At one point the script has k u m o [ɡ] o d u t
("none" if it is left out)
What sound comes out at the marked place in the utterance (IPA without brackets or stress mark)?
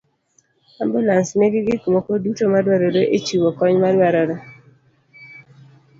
k